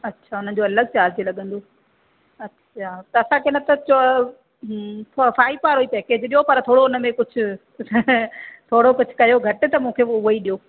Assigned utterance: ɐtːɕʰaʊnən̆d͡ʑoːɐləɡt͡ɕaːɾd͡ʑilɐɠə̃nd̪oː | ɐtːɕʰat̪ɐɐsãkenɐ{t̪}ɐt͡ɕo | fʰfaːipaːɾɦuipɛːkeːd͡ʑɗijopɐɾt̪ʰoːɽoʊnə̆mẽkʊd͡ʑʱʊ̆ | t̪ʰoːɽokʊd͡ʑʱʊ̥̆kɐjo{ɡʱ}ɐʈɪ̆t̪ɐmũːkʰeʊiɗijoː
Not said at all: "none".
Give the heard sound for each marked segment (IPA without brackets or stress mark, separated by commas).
t̪, ɡʱ